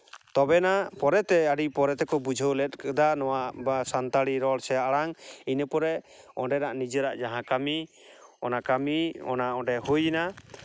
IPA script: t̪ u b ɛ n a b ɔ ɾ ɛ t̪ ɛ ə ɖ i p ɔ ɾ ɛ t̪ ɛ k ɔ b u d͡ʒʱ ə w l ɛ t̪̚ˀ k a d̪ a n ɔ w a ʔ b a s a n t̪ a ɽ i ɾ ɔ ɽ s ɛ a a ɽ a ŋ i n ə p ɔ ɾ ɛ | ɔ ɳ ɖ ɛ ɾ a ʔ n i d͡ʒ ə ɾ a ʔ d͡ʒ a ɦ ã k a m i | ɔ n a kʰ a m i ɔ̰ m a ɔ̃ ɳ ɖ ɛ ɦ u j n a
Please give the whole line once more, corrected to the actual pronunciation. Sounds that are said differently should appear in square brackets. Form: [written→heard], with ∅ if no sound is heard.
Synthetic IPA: t̪ [u→ɔ] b ɛ n a [b→p] ɔ ɾ ɛ t̪ ɛ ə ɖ i p ɔ ɾ ɛ t̪ ɛ k ɔ b u d͡ʒʱ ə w l ɛ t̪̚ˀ k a d̪ a n ɔ w a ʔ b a s a n t̪ a ɽ i ɾ ɔ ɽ s ɛ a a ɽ a ŋ i n ə p ɔ ɾ ɛ | ɔ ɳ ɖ ɛ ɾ a ʔ n i d͡ʒ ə ɾ a ʔ d͡ʒ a ɦ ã k a m i | ɔ n a [kʰ→k] a m i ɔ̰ [m→n] a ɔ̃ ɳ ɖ ɛ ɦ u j n a